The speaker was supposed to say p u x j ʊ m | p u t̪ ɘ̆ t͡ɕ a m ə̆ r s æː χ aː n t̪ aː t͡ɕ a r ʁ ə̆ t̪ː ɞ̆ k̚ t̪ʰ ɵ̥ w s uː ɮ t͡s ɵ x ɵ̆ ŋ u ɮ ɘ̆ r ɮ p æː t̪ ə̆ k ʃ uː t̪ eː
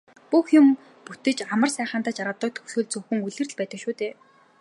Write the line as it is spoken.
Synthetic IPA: p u x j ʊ m | p u t̪ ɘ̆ t͡ɕ a m ə̆ r s æː χ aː n t̪ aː t͡ɕ a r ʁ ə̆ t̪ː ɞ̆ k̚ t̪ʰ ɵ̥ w s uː ɮ t͡s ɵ x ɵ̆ ŋ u ɮ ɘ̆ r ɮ p æː t̪ ə̆ k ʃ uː t̪ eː